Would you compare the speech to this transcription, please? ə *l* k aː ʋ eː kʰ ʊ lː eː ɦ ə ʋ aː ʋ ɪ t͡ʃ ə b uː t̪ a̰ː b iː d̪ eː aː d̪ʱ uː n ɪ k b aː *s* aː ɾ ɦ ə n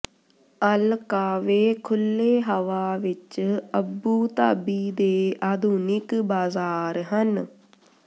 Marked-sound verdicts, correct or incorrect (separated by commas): correct, incorrect